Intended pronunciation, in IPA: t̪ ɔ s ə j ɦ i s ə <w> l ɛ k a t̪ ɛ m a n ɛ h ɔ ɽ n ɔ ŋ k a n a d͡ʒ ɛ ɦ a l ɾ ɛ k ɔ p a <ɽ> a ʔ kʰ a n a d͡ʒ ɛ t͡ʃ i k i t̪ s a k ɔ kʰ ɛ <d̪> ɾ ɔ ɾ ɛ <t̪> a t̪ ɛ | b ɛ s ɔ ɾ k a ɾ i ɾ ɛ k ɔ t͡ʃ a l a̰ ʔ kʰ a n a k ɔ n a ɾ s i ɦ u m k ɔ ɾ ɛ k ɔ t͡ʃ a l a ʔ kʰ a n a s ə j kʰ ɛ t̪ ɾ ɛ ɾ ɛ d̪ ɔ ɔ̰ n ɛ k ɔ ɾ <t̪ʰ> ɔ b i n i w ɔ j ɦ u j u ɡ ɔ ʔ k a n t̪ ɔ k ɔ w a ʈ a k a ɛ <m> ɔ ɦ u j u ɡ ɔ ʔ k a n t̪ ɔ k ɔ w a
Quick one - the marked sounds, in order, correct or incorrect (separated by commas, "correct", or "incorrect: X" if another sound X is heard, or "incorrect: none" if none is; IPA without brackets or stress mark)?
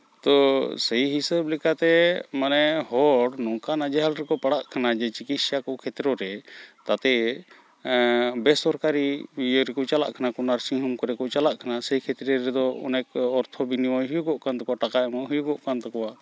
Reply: incorrect: b, correct, incorrect: t̪, correct, correct, correct